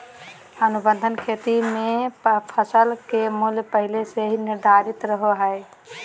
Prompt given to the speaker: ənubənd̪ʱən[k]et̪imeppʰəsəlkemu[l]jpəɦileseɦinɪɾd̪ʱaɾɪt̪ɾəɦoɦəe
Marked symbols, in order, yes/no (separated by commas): no, yes